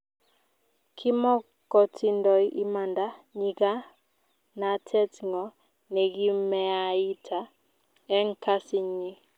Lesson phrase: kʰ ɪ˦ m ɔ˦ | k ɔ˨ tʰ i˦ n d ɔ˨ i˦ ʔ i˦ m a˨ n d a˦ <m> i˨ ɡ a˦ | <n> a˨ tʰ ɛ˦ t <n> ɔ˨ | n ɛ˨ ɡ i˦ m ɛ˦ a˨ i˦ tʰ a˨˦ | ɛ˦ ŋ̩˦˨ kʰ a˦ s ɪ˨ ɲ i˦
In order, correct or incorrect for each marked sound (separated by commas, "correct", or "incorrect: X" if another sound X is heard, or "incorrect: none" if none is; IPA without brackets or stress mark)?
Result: incorrect: ɲ, correct, incorrect: ŋ